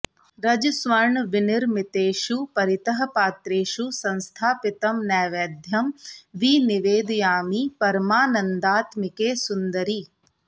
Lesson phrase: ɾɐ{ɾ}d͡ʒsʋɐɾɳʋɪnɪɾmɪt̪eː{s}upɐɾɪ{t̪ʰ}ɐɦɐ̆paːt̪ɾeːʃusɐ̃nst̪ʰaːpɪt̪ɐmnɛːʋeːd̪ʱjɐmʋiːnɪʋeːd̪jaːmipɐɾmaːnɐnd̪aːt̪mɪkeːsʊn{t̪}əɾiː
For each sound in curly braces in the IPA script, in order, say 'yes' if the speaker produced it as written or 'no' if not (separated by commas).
no, no, no, no